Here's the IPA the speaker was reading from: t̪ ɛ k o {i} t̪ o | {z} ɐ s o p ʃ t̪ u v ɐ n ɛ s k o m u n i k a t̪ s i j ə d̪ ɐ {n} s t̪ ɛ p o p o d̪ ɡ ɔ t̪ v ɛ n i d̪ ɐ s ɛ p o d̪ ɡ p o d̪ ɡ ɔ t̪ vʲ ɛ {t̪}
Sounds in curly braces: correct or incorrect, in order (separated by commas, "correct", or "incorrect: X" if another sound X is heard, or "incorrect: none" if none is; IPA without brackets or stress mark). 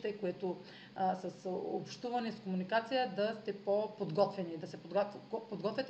incorrect: ɛ, incorrect: s, incorrect: none, correct